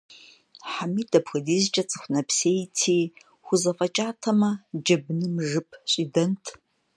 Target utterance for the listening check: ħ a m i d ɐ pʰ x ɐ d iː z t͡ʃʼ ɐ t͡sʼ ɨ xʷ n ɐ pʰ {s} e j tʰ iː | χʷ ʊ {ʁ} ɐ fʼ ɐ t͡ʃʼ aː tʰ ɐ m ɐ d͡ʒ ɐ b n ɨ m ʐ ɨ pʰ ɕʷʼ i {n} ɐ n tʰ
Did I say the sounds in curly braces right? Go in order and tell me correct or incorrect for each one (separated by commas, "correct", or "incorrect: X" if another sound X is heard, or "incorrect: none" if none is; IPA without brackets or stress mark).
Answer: correct, incorrect: z, incorrect: d